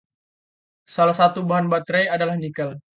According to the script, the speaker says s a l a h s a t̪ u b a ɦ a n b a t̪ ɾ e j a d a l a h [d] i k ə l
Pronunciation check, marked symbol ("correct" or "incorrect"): incorrect